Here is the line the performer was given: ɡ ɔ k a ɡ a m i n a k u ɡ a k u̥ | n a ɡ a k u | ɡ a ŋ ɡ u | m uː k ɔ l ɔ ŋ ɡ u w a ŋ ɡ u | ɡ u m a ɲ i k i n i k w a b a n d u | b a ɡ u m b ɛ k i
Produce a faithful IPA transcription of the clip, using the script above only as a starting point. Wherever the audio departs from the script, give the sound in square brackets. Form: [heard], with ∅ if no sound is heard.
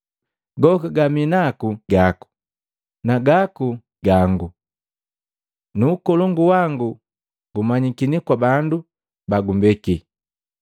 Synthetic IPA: ɡ ɔ k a ɡ a m i n a k u ɡ a k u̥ | n a ɡ a k u | ɡ a ŋ ɡ u | [n] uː k ɔ l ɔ ŋ ɡ u w a ŋ ɡ u | ɡ u m a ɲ i k i n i k w a b a n d u | b a ɡ u m b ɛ k i

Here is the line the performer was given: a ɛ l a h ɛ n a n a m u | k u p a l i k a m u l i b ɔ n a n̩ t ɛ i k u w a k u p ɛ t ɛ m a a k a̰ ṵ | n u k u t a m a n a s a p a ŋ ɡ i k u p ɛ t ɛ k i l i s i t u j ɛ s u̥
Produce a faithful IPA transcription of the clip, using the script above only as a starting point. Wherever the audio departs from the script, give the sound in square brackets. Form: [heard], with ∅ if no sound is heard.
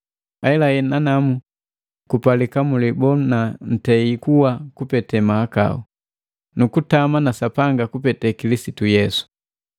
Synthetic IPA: a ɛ l a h ɛ n a n a m u | k u p a l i k a m u l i b ɔ n a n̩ t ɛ i k u w a k u p ɛ t ɛ m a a k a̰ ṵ | n u k u t a m a n a s a p a ŋ ɡ [a] k u p ɛ t ɛ k i l i s i t u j ɛ s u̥

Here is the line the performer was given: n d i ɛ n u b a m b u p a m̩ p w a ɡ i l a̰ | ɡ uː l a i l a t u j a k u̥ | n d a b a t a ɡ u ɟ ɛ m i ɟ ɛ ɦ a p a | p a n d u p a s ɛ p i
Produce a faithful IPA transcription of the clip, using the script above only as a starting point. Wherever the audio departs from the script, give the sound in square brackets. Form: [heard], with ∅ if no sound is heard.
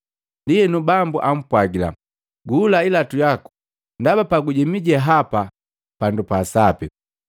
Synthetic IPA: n d i ɛ n u b a m b u [ʔ] a m̩ p w a ɡ i l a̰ | ɡ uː l a i l a t u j a k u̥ | n d a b a [p] a ɡ u ɟ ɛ m i ɟ ɛ ɦ a p a | p a n d u p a s [a] p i

